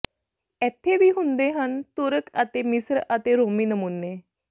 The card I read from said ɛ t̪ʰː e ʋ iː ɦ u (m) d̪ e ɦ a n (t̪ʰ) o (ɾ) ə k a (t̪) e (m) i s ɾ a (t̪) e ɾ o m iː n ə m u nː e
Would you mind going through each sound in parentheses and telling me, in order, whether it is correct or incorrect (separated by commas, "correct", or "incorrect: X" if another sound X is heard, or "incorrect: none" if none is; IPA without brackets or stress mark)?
incorrect: n, incorrect: t̪, correct, correct, correct, correct